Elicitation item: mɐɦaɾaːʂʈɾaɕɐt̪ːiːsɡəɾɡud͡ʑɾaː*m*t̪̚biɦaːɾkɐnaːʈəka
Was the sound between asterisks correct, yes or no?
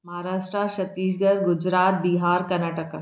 no